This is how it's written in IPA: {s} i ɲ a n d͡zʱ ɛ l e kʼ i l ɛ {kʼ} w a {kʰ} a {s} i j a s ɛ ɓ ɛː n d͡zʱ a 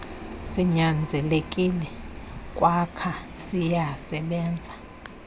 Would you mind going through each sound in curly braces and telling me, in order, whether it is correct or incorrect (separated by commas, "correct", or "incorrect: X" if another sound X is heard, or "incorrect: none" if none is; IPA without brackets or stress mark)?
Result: correct, correct, correct, correct